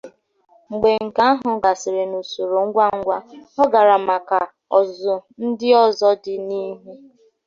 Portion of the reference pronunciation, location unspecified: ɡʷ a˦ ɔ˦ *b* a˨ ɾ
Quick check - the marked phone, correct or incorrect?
incorrect